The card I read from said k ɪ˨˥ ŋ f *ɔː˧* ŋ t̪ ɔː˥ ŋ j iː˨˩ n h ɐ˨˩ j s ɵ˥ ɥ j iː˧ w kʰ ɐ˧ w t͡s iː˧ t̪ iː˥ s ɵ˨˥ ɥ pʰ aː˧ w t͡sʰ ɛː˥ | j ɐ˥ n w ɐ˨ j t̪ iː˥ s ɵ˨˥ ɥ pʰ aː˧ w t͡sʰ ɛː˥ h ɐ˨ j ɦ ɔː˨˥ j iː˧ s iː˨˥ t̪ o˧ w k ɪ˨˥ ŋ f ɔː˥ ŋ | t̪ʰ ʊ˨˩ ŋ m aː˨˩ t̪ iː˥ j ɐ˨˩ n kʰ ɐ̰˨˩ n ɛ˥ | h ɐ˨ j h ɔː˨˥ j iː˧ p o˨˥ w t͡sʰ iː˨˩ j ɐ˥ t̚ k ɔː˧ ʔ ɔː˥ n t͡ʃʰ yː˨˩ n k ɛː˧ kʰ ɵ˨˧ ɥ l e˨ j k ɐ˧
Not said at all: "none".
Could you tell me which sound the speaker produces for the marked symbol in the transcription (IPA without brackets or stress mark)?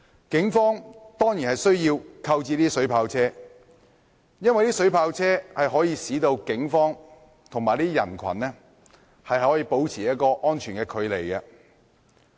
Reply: ɔː˥